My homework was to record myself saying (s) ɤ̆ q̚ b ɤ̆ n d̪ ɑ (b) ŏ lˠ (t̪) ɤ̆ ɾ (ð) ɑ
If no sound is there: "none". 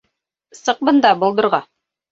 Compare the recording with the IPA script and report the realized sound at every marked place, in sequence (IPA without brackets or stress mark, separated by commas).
s, b, d̪, ʁ